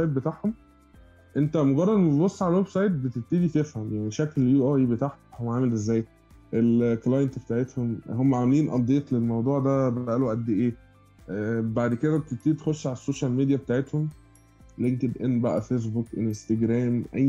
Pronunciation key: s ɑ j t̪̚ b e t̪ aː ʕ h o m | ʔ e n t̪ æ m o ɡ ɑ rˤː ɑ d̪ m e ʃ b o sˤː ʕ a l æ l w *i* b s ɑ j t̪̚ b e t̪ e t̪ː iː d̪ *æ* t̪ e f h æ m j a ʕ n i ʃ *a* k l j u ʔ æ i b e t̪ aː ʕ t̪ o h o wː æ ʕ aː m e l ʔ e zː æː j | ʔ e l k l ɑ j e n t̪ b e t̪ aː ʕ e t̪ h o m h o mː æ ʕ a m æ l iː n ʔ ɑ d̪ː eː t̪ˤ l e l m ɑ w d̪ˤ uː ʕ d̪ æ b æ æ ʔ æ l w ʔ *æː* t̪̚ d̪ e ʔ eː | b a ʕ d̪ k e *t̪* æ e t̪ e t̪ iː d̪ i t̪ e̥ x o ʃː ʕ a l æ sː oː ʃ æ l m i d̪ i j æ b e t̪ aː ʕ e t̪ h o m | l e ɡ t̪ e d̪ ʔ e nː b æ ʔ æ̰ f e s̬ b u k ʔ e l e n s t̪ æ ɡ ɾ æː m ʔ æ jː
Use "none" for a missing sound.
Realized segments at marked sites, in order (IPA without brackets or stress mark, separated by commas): e, i, æ, æ, d̪